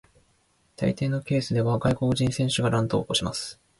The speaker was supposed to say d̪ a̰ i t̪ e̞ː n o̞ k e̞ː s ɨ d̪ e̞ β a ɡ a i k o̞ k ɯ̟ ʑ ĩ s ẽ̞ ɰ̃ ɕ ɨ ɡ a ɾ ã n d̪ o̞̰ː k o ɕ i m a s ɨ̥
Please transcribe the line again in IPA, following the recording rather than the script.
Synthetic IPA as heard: t̪ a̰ i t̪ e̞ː n o̞ k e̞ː s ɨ d̪ e̞ β a ɡ a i k o̞ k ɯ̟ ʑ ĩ s ẽ̞ ɰ̃ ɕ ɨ ɡ a ɾ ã n t̪ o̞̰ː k o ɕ i m a s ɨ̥